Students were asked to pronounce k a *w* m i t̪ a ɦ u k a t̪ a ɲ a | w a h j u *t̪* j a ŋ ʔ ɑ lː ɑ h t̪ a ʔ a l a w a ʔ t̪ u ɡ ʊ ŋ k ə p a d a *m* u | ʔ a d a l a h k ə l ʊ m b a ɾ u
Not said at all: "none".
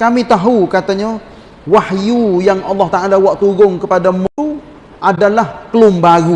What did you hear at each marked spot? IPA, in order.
none, none, m

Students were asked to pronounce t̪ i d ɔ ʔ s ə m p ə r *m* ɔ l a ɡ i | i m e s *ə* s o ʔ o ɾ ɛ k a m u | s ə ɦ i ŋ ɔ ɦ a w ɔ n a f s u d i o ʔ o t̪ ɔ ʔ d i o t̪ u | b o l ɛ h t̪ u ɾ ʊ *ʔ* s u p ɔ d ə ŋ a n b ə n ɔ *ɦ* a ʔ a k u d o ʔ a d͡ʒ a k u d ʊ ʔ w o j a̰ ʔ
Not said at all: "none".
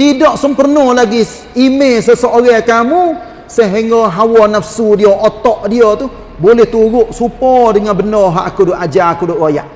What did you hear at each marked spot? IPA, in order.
n, ə, ʔ, ɦ

